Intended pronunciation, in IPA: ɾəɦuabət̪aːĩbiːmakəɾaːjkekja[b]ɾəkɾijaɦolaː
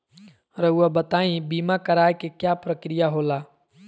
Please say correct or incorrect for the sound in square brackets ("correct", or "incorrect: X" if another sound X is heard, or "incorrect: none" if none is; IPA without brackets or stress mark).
incorrect: p